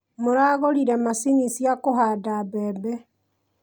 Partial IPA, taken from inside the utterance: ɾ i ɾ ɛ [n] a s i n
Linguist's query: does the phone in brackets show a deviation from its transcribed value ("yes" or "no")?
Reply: yes